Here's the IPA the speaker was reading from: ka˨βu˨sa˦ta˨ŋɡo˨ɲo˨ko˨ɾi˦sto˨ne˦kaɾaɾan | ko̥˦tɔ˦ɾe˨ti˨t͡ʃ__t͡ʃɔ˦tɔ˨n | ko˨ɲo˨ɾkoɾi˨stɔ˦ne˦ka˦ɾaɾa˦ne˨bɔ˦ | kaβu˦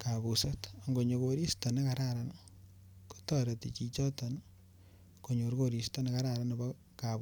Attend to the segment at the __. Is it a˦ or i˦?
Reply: i˦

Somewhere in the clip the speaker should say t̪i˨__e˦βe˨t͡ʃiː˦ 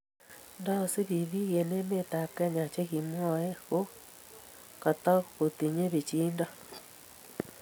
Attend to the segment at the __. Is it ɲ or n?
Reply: ɲ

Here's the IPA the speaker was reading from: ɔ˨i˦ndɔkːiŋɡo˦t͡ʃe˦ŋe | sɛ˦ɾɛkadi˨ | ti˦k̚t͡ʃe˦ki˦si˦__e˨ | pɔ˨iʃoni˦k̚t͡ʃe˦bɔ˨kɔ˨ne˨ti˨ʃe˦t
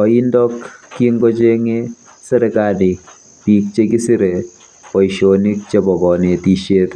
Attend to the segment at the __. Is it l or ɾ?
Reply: ɾ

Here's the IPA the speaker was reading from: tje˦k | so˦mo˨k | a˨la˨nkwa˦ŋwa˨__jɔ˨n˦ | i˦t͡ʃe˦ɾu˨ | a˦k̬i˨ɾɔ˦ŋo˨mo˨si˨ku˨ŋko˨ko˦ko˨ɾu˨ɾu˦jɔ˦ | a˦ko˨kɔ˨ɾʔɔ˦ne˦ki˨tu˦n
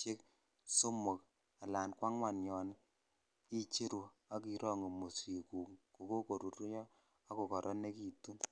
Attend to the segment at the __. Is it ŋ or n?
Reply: n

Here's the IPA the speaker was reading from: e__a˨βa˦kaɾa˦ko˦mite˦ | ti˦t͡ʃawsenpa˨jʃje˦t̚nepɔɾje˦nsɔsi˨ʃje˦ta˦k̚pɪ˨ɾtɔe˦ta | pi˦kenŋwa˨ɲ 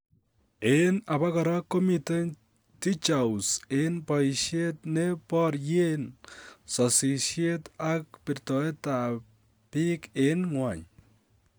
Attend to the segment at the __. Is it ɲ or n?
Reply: n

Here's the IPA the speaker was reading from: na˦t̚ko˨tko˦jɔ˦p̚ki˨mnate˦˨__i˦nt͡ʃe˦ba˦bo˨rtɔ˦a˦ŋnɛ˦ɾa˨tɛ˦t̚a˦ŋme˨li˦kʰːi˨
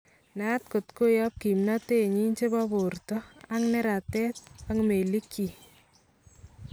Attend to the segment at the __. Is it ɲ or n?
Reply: ɲ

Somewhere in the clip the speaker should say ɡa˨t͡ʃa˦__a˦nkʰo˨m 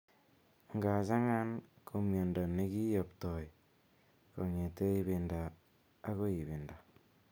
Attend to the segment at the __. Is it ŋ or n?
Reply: ŋ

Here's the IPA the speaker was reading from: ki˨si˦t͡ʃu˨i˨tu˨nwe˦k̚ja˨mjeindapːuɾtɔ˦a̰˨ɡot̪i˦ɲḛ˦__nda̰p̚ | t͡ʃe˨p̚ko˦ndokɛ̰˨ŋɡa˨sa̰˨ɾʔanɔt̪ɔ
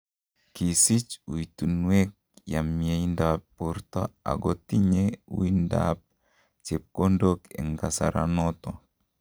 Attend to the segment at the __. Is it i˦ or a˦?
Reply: i˦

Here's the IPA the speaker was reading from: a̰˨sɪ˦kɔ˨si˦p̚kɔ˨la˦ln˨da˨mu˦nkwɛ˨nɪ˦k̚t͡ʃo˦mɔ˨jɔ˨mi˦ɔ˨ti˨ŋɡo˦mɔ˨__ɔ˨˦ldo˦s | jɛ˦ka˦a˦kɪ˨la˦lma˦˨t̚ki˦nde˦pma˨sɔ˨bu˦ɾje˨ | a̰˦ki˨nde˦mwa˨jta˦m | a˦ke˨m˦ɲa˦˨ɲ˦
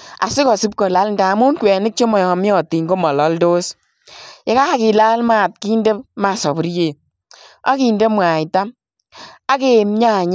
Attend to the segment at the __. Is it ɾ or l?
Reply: l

